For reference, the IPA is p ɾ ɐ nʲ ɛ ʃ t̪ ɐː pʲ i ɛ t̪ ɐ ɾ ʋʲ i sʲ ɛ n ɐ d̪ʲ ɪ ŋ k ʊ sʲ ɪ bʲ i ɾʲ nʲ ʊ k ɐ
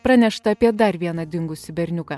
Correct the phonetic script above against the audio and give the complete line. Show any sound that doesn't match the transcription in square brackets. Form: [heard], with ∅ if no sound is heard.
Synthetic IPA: p ɾ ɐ nʲ ɛ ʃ t̪ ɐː pʲ i ɛ [d̪] ɐ ɾ ʋʲ i [∅] ɛ n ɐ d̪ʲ ɪ ŋ [ɡ] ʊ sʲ ɪ bʲ [ɛ] ɾʲ nʲ ʊ k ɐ